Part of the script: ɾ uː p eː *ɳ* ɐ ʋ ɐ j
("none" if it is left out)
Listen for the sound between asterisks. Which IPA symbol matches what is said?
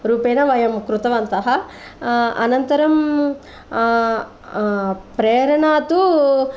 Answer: n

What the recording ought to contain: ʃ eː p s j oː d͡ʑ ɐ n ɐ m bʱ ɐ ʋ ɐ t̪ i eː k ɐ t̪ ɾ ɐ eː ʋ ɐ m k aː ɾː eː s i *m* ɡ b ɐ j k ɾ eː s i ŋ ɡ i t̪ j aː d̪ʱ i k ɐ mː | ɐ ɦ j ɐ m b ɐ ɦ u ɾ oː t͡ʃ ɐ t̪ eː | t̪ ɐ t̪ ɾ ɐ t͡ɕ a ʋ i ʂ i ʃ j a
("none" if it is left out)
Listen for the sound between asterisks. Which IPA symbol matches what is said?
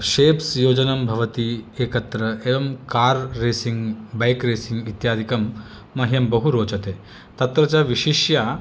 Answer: ŋ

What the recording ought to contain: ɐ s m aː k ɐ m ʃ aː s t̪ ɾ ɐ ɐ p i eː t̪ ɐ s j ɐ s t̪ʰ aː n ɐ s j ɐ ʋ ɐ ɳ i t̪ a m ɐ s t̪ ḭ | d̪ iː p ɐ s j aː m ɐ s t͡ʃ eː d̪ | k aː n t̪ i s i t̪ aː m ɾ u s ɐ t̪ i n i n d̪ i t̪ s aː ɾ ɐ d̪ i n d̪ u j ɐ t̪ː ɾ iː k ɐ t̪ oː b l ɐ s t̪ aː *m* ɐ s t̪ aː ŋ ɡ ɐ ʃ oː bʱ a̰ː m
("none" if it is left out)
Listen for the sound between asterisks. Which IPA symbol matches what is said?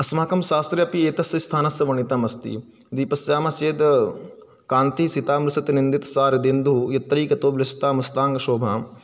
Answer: m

